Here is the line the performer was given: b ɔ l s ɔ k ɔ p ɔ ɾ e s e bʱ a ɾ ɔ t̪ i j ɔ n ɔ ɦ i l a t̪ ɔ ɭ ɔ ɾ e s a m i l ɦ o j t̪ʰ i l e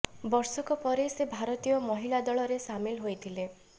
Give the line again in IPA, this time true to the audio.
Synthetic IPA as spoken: b ɔ ɾ s ɔ k ɔ p ɔ ɾ e s e bʱ a ɾ ɔ t̪ i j ɔ m ɔ ɦ i l a d̪ ɔ ɭ ɔ ɾ e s a m i l ɦ o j t̪ʰ i l e